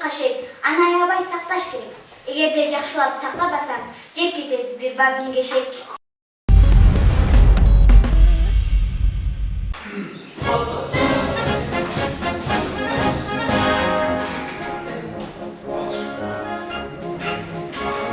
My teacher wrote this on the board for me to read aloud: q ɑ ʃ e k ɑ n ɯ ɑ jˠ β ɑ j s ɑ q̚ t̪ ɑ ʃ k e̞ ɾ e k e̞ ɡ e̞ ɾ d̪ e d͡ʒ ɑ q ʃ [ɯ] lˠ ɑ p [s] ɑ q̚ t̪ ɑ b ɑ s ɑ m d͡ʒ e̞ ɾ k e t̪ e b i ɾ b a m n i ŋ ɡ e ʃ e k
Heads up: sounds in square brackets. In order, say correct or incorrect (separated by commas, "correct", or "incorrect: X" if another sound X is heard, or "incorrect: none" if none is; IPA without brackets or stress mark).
correct, correct